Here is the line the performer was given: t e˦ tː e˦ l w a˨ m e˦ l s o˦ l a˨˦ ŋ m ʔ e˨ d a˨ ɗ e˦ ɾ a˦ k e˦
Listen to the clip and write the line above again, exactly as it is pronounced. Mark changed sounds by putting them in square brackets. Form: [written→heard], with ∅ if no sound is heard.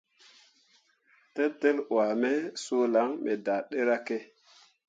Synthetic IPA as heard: t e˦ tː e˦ l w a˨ m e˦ [l→∅] s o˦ l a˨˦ ŋ m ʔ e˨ d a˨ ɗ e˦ ɾ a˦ k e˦